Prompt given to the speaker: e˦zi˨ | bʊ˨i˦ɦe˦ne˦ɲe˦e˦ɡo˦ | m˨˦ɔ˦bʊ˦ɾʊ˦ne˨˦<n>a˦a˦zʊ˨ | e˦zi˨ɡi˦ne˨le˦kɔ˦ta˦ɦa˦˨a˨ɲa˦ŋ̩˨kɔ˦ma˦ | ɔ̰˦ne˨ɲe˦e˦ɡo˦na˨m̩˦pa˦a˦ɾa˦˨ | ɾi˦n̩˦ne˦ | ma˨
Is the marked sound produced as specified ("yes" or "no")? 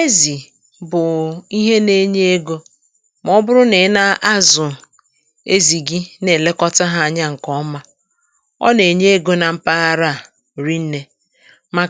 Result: yes